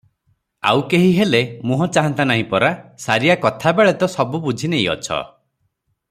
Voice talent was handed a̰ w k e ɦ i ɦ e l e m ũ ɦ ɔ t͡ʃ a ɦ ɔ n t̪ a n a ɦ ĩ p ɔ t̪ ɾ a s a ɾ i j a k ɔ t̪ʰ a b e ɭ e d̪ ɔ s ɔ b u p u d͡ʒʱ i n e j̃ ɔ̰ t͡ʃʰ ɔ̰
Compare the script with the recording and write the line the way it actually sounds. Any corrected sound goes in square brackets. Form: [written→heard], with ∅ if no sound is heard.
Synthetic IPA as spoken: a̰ w k e ɦ i ɦ e l e m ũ ɦ ɔ t͡ʃ a ɦ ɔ n t̪ a n a ɦ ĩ p ɔ [t̪→∅] ɾ a s a ɾ i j a k ɔ t̪ʰ a b e ɭ e [d̪→t̪] ɔ s ɔ b u [p→b] u d͡ʒʱ i n e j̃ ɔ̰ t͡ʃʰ ɔ̰